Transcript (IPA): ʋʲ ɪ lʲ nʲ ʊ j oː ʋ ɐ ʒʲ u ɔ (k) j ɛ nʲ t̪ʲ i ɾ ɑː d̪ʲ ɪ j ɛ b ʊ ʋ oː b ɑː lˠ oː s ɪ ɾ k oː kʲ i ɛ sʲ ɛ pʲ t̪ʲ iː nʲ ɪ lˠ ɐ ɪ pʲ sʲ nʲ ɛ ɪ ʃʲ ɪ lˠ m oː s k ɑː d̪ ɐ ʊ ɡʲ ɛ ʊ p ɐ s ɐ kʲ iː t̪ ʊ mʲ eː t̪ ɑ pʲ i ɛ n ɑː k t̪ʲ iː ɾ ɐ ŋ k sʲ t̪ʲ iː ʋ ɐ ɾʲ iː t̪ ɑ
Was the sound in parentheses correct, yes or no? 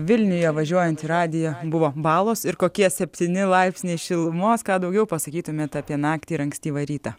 no